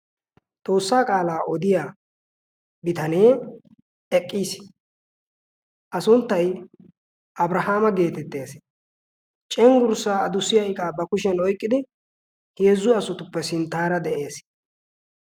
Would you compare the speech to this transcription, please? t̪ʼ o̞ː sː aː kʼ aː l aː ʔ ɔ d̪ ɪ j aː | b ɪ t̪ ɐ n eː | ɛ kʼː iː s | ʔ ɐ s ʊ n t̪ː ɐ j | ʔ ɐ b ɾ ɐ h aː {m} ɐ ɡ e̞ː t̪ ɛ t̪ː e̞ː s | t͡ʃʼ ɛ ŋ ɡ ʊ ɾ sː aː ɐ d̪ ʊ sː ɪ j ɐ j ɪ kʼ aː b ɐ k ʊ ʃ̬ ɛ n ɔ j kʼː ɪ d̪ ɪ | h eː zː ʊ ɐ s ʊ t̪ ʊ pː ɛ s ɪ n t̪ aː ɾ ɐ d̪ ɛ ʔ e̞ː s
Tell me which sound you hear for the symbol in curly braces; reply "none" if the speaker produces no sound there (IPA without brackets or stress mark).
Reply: m